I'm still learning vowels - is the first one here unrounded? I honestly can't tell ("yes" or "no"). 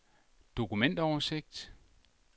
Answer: no